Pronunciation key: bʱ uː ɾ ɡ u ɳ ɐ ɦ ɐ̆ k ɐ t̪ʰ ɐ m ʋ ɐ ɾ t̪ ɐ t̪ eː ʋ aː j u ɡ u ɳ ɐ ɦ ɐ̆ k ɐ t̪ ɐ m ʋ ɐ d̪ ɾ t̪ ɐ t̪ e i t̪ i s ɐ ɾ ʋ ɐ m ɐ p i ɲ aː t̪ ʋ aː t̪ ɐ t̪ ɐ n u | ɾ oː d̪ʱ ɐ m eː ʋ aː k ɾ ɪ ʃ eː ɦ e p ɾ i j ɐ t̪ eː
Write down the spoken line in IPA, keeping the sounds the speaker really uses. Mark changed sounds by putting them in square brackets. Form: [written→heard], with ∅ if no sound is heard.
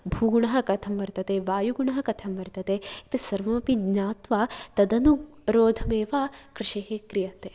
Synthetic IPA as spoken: bʱ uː [ɾ→∅] ɡ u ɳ ɐ ɦ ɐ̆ k ɐ t̪ʰ ɐ m ʋ ɐ ɾ t̪ ɐ t̪ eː ʋ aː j u ɡ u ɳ ɐ ɦ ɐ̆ k ɐ [t̪→t̪ʰ] ɐ m ʋ ɐ [d̪→∅] ɾ t̪ ɐ t̪ e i t̪ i s ɐ ɾ ʋ ɐ m ɐ p i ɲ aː t̪ ʋ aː t̪ ɐ [t̪→d̪] ɐ n u | ɾ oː d̪ʱ ɐ m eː ʋ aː k ɾ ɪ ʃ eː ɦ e [p→k] ɾ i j ɐ t̪ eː